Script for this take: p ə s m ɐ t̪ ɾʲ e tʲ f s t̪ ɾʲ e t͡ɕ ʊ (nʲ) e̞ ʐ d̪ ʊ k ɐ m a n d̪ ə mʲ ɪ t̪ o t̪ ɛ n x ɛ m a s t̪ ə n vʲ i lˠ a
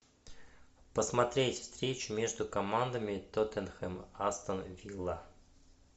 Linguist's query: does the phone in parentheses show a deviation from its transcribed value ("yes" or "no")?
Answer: yes